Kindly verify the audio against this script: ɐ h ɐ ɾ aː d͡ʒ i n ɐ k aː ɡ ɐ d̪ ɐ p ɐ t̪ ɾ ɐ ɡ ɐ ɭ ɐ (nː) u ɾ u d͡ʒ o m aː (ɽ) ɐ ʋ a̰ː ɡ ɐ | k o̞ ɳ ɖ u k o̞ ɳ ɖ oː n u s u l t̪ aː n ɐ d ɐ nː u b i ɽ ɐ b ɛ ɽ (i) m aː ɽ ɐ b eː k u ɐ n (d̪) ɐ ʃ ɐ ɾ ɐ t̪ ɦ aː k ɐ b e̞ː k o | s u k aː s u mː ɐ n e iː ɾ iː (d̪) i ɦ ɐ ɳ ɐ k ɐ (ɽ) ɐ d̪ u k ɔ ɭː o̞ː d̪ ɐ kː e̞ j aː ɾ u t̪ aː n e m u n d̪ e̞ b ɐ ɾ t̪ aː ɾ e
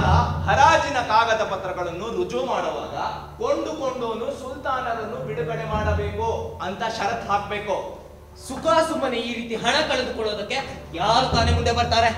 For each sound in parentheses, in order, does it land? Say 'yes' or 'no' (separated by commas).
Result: yes, yes, no, no, no, no